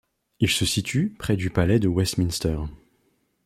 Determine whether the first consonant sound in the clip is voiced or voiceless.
voiced